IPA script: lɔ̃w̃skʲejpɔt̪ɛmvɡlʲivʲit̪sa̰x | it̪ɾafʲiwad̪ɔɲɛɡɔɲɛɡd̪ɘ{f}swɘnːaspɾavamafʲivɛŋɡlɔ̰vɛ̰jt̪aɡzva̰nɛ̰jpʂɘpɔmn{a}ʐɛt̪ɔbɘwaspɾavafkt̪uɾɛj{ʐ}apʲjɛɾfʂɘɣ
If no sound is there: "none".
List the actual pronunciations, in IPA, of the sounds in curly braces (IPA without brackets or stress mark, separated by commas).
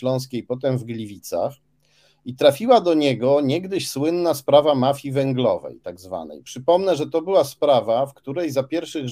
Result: ɕ, ɛ, z